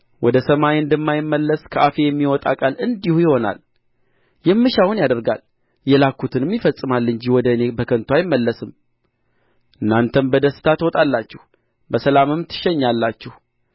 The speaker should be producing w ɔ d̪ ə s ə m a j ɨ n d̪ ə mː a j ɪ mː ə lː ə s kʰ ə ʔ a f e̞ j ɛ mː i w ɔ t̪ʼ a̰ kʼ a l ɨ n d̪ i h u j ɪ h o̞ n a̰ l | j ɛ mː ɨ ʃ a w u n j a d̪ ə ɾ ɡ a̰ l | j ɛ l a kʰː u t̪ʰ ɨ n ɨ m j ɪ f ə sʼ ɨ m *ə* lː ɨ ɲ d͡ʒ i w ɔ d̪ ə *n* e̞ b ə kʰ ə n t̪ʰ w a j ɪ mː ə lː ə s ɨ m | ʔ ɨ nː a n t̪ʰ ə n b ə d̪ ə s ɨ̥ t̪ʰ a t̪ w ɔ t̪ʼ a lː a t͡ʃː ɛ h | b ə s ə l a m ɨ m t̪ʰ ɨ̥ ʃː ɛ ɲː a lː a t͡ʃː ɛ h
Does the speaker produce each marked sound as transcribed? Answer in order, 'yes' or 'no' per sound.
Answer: no, yes

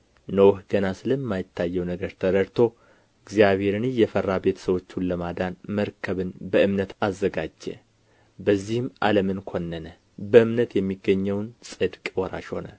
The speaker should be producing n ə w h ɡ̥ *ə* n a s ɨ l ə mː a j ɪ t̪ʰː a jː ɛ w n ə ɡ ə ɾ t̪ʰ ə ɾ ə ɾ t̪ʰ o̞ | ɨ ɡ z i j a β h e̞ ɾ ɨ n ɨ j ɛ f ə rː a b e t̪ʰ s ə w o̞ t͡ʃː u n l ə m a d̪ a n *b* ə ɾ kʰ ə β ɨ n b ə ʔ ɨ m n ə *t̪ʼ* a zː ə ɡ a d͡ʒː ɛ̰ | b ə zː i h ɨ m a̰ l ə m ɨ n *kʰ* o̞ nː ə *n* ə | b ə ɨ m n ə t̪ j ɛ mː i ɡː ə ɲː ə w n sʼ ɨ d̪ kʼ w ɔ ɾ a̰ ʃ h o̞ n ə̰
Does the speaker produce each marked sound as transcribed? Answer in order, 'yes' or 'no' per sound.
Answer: yes, no, no, yes, yes

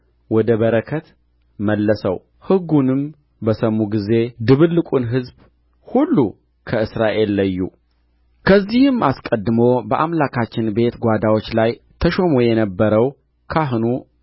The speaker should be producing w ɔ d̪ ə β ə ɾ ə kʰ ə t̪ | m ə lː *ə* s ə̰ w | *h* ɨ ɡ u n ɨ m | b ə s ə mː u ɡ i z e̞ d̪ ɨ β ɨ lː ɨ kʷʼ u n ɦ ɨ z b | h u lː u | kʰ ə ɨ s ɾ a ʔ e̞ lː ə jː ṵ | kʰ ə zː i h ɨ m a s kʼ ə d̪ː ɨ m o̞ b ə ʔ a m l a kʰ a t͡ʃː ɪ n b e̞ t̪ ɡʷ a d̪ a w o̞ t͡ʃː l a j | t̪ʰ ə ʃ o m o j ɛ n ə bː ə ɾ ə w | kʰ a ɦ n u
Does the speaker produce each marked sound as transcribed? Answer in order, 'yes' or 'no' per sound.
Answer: yes, yes

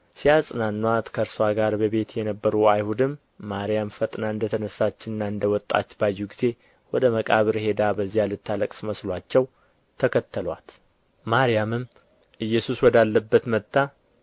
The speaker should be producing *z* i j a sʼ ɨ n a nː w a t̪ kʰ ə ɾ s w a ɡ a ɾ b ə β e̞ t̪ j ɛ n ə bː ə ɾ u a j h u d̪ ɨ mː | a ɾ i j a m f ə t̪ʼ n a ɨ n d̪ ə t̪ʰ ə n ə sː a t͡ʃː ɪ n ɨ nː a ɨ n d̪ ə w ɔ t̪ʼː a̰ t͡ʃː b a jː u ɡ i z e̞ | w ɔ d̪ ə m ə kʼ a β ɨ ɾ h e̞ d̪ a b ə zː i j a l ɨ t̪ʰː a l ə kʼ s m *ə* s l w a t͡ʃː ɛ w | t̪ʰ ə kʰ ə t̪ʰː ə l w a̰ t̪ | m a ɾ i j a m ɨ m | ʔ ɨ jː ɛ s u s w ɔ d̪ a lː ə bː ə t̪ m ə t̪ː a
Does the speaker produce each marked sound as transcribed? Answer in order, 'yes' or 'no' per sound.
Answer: no, yes

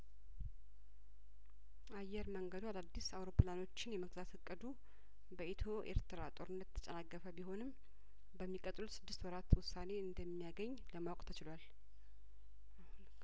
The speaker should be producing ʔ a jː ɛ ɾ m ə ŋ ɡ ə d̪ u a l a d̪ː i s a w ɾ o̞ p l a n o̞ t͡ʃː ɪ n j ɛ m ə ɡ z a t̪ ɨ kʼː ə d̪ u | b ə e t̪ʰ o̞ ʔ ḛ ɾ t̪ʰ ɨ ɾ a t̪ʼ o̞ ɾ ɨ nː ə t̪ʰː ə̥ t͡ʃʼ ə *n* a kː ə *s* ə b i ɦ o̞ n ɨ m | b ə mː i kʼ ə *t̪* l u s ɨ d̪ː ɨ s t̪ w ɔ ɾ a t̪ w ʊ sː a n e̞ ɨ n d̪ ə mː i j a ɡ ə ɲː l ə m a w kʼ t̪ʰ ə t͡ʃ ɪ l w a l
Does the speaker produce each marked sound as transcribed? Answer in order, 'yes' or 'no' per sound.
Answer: yes, no, no

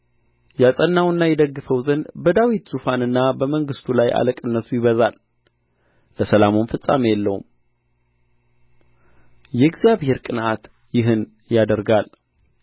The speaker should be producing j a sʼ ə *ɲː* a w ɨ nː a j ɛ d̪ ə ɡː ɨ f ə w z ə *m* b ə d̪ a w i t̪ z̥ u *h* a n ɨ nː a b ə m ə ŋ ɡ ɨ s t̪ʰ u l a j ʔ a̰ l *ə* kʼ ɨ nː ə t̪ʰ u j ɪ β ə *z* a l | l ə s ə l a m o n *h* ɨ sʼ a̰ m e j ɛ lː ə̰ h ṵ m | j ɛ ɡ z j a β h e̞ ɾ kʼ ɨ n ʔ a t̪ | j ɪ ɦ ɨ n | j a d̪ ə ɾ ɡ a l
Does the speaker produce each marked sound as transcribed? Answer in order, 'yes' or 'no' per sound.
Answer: no, no, no, yes, yes, no

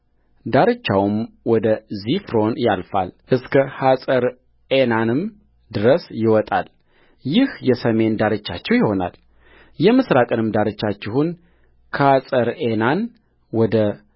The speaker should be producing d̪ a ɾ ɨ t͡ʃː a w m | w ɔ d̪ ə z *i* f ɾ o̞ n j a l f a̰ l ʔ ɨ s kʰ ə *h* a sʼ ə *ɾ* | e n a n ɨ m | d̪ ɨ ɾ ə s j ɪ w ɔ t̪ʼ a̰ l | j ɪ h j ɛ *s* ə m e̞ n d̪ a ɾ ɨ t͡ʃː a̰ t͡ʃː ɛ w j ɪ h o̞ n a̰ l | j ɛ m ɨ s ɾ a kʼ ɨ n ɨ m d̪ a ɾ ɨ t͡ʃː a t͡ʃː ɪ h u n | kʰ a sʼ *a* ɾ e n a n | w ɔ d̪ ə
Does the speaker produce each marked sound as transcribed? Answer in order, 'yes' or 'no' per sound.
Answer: yes, yes, yes, yes, no

